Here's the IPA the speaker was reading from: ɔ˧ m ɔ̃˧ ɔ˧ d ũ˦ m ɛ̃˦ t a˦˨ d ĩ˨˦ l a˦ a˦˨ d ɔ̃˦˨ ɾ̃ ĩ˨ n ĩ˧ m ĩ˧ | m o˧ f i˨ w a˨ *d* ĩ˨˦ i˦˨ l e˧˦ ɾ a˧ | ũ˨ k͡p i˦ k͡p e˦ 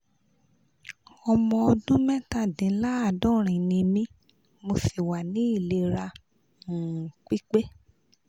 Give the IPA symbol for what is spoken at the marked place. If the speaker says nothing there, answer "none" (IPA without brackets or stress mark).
n